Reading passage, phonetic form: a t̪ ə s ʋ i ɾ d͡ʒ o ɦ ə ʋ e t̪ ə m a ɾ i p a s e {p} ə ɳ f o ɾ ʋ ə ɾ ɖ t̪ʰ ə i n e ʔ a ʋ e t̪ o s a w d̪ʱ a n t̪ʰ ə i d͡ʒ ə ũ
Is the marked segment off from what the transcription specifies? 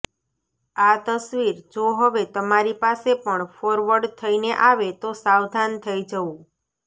no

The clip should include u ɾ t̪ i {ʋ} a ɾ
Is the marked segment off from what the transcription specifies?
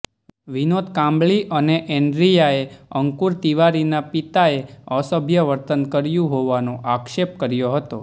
no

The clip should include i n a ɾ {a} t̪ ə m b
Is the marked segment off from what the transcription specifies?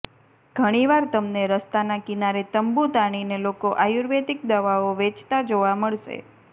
yes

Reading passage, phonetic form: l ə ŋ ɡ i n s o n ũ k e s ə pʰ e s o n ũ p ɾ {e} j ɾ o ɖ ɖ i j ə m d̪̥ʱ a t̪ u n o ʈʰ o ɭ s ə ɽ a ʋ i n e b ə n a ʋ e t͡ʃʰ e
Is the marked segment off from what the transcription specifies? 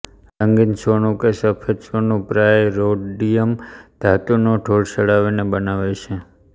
yes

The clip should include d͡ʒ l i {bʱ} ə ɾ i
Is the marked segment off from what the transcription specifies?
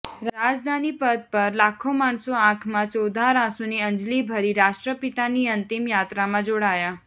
no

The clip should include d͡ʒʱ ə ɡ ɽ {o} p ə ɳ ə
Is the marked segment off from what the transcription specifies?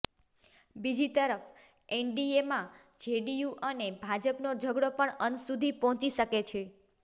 no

